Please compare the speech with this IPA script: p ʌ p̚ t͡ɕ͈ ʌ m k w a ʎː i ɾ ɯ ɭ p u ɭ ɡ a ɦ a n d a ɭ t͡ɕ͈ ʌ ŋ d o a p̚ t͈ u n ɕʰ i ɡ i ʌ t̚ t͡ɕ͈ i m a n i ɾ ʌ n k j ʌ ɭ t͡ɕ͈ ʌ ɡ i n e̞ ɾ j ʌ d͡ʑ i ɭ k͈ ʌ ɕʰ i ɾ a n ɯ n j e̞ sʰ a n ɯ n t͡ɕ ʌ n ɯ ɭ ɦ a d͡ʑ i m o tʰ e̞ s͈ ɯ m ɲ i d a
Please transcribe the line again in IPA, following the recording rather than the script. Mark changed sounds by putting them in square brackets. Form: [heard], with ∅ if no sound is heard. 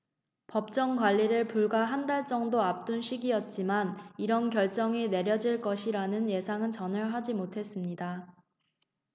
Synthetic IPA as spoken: p ʌ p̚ t͡ɕ͈ ʌ [ŋ] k w a ʎː i ɾ ɯ ɭ p u ɭ ɡ a ɦ a n d a ɭ t͡ɕ͈ ʌ ŋ d o a p̚ t͈ u n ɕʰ i ɡ i ʌ t̚ t͡ɕ͈ i m a n i ɾ ʌ n k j ʌ ɭ t͡ɕ͈ ʌ [ŋ] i n e̞ ɾ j ʌ d͡ʑ i ɭ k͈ ʌ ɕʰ i ɾ a n ɯ n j e̞ sʰ a [ŋ] ɯ n t͡ɕ ʌ n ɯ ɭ ɦ a d͡ʑ i m o tʰ e̞ s͈ ɯ m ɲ i d a